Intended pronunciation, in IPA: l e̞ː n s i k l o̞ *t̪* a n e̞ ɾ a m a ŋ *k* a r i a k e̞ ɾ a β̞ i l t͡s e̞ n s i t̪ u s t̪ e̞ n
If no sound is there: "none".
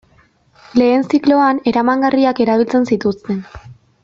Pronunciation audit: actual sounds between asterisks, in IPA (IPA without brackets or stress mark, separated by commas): none, ɡ